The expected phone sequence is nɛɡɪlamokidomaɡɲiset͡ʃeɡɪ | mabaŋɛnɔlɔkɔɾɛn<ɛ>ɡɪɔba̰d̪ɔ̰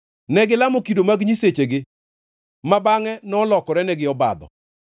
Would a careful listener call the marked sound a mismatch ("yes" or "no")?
no